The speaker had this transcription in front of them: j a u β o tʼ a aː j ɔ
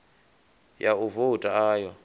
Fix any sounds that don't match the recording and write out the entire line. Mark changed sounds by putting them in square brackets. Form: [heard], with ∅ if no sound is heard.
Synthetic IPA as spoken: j a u [v] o tʼ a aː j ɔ